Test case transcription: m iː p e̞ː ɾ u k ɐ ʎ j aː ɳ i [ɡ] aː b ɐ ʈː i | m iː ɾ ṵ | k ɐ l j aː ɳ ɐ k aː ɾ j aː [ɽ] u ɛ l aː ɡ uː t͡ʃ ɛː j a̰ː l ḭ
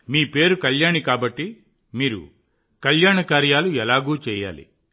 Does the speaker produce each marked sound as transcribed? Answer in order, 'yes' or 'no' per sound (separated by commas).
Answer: no, no